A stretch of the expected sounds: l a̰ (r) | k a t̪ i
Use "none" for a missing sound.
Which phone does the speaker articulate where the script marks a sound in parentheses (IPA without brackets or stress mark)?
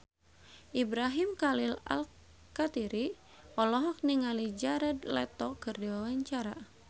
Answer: l